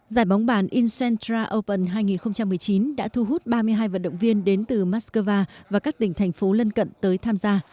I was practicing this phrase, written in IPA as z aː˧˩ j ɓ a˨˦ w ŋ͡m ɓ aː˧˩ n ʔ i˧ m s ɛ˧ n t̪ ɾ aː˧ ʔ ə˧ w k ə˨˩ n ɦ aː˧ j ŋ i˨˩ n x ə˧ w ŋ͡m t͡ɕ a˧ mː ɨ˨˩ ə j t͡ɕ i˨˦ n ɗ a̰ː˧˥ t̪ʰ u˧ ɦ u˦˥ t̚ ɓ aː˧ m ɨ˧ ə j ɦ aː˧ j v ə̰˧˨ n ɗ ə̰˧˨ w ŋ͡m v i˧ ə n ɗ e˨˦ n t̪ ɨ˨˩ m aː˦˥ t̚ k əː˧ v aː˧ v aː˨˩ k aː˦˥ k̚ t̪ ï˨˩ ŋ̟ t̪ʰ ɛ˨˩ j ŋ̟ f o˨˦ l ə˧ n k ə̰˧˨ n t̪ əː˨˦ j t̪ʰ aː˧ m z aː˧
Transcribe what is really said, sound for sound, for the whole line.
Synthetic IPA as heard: z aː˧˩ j ɓ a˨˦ w ŋ͡m ɓ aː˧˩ n ʔ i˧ n s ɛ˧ n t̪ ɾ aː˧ ʔ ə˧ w p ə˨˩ n ɦ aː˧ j ŋ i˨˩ n x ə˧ w ŋ͡m t͡ɕ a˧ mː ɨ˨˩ ə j t͡ɕ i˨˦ n ɗ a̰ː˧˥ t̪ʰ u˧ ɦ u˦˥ t̚ ɓ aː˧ m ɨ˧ ə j ɦ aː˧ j v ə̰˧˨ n ɗ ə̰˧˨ w ŋ͡m v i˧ ə n ɗ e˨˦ n t̪ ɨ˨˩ m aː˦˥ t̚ k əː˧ v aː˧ v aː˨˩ k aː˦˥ k̚ t̪ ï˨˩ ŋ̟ t̪ʰ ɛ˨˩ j ŋ̟ f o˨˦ l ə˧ n k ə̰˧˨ n t̪ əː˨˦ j t̪ʰ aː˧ m z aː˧